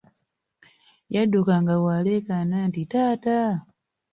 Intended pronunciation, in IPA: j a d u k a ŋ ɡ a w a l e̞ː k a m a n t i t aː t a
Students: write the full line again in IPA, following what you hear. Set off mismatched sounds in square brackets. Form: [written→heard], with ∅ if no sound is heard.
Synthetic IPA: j a d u k a ŋ ɡ a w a l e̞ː k a [m→n] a n t i t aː t a